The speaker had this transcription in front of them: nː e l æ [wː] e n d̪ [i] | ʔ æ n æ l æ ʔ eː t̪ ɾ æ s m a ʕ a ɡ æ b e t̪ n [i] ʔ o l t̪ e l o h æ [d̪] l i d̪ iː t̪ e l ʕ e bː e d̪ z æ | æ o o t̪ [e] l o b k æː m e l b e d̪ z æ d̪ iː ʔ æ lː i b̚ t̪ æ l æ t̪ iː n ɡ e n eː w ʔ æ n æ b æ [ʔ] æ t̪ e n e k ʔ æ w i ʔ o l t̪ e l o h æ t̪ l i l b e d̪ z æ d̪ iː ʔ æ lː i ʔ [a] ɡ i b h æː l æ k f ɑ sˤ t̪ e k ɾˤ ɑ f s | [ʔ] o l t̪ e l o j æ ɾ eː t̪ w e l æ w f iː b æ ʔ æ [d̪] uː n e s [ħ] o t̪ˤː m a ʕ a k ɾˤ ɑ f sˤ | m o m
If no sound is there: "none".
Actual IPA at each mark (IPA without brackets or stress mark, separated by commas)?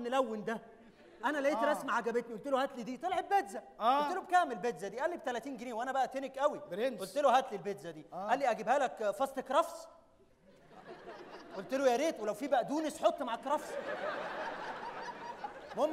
wː, æ, i, t̪, e, ʔ, æ, ʔ, d̪, ħ